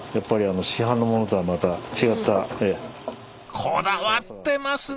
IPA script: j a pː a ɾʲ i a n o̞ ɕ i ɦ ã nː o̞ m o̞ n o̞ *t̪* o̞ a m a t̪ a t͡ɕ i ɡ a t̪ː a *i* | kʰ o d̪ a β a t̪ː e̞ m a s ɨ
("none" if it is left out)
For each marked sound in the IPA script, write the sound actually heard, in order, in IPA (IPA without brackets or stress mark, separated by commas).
t̪, e